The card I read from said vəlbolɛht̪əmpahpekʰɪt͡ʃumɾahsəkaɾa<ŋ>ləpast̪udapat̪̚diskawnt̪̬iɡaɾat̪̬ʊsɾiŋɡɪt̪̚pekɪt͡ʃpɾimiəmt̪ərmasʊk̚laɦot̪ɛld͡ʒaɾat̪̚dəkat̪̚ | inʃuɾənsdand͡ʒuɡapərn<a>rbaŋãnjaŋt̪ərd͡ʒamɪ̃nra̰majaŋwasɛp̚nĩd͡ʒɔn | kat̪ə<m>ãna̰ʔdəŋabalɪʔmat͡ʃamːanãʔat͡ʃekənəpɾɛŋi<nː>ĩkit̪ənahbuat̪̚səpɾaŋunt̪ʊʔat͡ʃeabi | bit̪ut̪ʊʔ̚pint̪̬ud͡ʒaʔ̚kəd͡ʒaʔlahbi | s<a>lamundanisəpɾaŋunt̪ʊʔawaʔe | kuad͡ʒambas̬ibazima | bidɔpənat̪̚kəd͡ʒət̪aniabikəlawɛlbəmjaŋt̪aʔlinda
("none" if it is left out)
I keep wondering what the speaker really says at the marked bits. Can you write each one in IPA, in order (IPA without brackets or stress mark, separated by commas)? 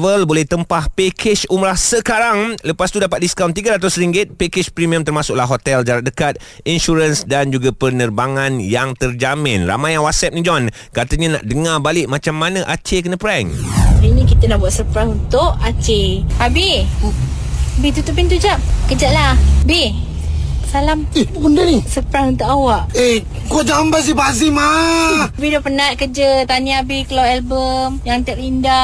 ŋ, ə, ɲ, n, a